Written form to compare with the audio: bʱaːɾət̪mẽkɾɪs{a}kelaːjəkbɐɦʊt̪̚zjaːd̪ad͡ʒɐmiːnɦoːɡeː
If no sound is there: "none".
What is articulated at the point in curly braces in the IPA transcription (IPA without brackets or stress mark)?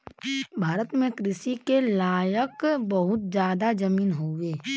i